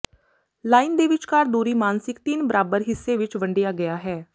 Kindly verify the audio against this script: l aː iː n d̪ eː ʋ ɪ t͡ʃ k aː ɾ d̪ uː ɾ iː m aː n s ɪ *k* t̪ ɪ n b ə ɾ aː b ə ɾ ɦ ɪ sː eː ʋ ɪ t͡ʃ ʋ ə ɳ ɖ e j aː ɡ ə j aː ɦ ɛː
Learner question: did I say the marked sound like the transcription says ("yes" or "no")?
yes